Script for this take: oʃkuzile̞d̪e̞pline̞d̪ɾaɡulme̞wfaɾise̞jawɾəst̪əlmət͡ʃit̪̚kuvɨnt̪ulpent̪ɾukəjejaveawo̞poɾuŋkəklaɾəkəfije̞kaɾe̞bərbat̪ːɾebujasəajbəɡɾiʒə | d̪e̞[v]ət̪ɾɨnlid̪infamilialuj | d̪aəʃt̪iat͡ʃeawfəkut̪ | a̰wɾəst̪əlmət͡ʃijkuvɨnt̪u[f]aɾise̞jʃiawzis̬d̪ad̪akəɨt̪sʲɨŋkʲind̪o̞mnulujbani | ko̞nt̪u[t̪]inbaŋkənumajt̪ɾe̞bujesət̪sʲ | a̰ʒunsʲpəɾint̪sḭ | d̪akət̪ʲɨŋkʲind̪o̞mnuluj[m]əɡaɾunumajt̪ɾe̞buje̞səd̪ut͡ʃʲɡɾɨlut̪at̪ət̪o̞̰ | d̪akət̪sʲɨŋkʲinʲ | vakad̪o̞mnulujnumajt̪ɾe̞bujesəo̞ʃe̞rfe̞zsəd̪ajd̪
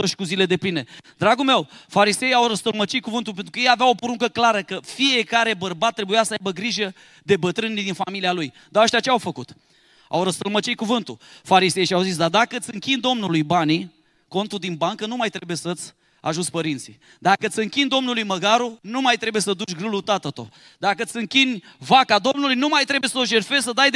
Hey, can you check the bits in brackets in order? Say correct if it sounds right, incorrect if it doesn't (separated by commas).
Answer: incorrect, correct, incorrect, correct